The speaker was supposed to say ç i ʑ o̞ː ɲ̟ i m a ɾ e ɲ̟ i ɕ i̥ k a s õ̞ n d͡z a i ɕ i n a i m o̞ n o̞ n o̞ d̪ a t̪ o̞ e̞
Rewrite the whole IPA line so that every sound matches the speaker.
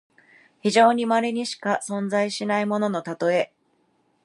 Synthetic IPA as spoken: ç i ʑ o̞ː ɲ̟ i m a ɾ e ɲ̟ i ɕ i̥ k a s õ̞ n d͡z a i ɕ i n a i m o̞ n o̞ n o̞ t̪ a t̪ o̞ e̞